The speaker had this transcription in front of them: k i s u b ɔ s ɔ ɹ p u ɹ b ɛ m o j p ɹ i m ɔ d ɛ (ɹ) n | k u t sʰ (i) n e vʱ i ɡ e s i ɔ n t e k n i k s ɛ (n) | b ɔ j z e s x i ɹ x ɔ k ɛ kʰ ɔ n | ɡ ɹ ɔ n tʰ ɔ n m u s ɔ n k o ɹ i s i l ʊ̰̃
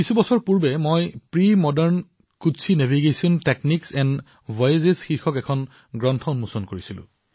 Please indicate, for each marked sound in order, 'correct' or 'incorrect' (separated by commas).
correct, correct, correct